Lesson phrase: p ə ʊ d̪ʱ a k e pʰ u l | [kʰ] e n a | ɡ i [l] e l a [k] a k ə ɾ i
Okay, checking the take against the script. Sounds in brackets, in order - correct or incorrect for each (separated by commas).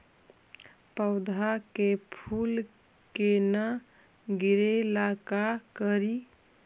incorrect, incorrect, correct